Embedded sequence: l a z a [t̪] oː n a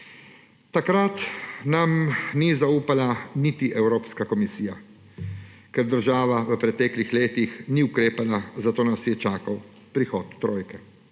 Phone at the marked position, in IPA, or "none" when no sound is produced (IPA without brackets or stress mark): t̪